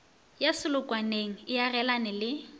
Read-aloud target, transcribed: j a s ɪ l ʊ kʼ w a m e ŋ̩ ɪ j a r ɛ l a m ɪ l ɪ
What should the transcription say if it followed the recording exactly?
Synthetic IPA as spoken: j a s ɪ l ʊ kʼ w a n e ŋ̩ ɪ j a r ɛ l a n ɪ l ɪ